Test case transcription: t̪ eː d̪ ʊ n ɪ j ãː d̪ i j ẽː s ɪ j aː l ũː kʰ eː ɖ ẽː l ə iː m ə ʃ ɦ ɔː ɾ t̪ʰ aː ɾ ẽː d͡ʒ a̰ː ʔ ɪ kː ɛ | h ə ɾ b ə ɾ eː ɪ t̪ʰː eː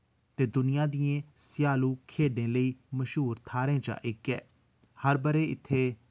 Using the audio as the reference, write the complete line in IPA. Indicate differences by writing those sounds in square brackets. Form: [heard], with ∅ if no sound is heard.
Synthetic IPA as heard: t̪ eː d̪ ʊ n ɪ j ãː d̪ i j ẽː s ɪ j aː l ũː kʰ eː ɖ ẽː l ə iː m ə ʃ ɦ [uː] ɾ t̪ʰ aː ɾ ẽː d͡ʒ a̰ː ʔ ɪ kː [ɛː] | h ə ɾ b ə ɾ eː ɪ t̪ʰː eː